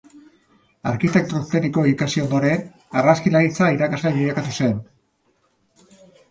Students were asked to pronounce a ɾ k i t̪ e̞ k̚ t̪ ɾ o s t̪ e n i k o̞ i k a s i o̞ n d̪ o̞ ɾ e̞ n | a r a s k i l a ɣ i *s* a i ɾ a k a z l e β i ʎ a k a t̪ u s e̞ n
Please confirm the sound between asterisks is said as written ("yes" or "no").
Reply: no